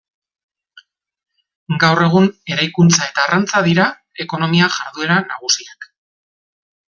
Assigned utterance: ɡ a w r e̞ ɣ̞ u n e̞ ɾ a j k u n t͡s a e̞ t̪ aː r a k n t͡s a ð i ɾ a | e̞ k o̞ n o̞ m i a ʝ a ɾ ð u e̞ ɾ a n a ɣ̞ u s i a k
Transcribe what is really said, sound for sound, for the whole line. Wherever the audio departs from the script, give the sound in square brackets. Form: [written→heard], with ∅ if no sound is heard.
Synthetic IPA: ɡ a w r e̞ ɣ̞ u n e̞ ɾ a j k u n t͡s a e̞ t̪ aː r a [k→∅] n t͡s a ð i ɾ a | e̞ k o̞ n o̞ m i a ʝ a ɾ ð u e̞ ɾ a n a ɣ̞ u s i a k